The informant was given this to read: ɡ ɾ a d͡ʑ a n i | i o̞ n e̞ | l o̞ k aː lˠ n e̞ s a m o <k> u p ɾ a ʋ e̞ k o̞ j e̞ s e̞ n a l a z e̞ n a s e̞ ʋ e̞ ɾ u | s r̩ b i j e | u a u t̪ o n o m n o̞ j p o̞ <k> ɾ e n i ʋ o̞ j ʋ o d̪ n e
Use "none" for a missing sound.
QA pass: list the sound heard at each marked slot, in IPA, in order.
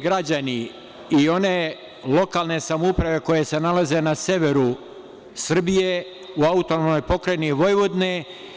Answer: none, k

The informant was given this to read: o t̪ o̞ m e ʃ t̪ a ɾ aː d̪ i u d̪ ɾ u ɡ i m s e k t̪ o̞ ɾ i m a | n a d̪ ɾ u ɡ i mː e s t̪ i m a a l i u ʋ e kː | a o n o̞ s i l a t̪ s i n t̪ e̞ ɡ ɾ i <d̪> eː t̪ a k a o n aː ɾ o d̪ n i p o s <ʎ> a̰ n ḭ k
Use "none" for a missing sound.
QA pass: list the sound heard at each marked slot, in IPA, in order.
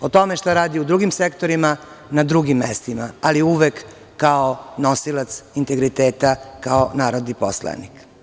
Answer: t̪, l

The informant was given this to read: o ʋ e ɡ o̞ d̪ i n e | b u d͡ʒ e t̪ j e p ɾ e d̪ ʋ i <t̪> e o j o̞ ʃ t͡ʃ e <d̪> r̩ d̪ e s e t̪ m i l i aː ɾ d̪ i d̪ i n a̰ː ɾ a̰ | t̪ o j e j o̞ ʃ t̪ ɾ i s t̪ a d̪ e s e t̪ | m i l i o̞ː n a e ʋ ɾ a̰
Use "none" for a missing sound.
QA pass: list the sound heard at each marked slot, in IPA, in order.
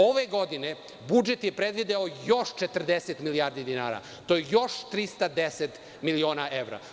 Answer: d̪, t̪

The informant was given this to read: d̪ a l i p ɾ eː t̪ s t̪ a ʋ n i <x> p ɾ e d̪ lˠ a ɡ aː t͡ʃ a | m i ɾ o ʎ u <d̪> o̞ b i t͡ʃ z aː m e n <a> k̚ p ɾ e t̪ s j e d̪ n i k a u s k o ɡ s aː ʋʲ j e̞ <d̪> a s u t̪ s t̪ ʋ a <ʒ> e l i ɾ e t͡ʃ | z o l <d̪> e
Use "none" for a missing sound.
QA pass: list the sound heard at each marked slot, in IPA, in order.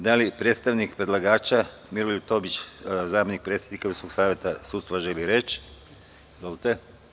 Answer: k, t̪, i, t̪, ʒ, t̪

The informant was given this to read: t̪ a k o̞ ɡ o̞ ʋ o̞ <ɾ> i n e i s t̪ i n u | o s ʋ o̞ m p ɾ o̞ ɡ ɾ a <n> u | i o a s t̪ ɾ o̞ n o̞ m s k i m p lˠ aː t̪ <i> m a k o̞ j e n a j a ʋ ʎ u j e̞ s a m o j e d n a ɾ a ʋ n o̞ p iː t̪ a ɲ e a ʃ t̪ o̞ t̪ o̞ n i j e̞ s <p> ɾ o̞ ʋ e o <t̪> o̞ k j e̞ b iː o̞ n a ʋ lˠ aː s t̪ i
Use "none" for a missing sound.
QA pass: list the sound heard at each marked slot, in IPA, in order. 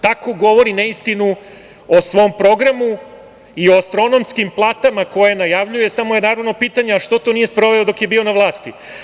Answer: ɾ, m, a, p, d̪

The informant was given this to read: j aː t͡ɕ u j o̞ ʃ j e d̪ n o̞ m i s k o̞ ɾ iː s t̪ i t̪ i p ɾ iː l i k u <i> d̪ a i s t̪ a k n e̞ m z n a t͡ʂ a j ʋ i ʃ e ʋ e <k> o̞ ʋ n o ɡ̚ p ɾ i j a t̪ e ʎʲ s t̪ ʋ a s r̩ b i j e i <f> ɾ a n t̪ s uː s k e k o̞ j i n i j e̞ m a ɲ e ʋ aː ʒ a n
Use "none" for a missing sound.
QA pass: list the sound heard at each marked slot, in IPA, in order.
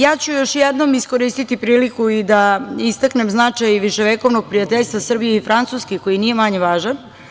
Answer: i, k, f

